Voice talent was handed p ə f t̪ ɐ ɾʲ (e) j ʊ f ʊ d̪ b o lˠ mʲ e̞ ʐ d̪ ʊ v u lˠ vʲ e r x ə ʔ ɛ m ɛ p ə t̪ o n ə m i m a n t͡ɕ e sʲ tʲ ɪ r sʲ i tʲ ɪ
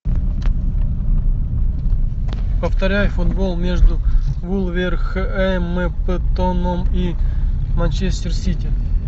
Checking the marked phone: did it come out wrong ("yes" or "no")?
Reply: yes